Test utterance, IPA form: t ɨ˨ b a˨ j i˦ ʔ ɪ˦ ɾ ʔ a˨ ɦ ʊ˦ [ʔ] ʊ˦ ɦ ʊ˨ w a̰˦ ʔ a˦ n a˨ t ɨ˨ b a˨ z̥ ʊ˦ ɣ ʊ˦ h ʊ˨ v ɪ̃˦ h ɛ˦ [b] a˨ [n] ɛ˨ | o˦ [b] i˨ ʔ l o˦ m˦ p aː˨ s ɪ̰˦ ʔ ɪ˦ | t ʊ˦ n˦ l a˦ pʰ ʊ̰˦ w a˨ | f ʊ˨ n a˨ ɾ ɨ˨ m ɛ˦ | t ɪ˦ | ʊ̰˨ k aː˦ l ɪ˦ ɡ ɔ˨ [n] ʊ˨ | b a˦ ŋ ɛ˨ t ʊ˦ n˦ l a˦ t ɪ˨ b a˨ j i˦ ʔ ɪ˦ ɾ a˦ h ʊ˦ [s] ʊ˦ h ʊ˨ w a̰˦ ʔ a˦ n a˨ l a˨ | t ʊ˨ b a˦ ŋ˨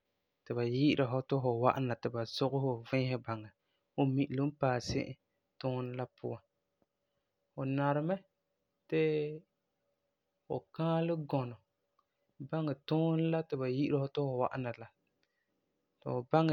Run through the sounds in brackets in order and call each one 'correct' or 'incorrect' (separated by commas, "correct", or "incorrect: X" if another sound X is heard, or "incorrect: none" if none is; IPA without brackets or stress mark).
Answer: incorrect: t, correct, incorrect: ŋ, incorrect: m, correct, incorrect: t